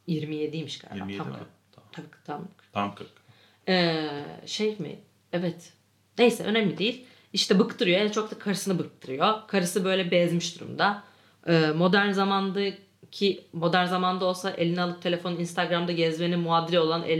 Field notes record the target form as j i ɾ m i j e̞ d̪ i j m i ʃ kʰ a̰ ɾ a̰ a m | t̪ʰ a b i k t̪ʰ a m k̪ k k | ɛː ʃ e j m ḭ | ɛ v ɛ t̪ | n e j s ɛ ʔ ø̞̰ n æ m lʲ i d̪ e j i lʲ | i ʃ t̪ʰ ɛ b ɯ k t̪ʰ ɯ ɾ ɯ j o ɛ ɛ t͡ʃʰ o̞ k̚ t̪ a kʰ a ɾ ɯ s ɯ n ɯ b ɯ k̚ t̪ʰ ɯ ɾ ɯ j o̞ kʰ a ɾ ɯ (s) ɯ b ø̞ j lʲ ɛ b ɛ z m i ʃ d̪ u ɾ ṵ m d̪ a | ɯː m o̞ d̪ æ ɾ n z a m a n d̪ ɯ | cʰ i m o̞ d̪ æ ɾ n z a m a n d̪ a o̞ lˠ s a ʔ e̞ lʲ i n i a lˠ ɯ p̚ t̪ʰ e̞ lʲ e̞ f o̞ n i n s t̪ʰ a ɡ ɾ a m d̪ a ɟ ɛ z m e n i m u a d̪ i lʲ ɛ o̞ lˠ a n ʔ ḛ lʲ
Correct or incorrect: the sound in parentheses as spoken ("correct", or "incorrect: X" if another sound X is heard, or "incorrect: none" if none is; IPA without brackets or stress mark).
correct